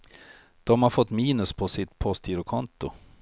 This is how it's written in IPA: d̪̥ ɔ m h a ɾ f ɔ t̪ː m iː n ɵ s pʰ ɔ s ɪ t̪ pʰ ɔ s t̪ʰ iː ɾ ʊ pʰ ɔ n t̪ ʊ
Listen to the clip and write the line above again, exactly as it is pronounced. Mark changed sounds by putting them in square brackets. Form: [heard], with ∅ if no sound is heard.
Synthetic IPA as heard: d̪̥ ɔ m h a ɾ f ɔ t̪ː m iː n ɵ s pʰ ɔ s ɪ t̪ pʰ ɔ s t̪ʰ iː ɾ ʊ [kʰ] ɔ n t̪ ʊ